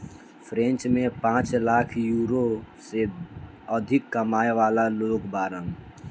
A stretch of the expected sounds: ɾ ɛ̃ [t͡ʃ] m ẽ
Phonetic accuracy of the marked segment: correct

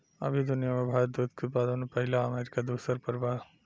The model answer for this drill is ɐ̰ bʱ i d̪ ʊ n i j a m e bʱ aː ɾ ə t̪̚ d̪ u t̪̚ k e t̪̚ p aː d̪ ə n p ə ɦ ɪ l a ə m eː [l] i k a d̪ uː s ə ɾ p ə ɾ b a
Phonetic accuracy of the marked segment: incorrect: ɾ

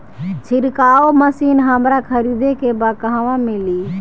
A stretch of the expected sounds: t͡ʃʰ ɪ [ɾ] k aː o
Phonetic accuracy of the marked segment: correct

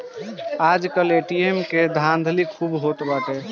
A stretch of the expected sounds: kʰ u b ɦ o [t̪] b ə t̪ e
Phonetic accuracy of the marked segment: correct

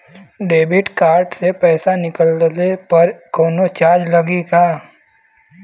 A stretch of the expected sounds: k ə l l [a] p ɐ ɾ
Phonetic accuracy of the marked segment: incorrect: e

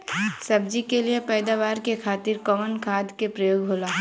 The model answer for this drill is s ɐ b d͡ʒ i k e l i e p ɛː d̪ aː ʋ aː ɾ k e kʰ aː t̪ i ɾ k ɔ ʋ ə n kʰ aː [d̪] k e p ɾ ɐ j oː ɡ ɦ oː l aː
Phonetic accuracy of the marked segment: correct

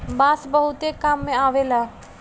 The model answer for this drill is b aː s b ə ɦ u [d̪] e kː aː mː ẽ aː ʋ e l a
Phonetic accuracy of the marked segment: incorrect: t̪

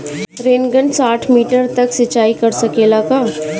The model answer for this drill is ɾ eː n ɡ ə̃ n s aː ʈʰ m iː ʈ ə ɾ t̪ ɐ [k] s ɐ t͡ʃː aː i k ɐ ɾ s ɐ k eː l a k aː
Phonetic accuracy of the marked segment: correct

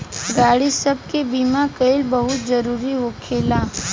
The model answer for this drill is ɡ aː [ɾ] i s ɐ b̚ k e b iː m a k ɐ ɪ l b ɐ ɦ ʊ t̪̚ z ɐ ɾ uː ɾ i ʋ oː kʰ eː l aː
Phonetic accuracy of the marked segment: incorrect: ɽ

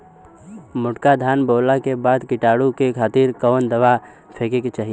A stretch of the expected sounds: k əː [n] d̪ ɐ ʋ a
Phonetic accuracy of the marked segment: correct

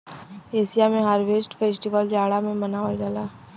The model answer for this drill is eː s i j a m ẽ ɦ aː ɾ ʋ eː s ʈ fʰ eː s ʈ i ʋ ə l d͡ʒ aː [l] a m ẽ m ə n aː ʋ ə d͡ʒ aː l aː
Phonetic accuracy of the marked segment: incorrect: ɽ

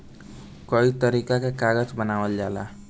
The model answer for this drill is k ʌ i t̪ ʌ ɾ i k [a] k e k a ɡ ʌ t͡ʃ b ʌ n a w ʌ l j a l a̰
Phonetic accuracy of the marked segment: correct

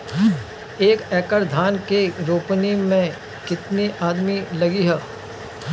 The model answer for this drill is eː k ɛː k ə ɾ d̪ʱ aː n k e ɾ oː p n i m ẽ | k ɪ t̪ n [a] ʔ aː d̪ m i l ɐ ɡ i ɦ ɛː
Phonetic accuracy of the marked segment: incorrect: i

